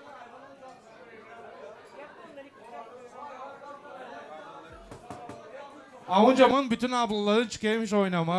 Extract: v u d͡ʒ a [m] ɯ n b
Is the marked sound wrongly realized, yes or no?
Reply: no